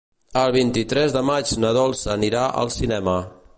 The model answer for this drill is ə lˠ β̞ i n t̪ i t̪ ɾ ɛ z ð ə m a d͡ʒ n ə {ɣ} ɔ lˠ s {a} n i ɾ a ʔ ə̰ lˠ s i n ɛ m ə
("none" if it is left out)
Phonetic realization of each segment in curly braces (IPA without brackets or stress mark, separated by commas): ð, ə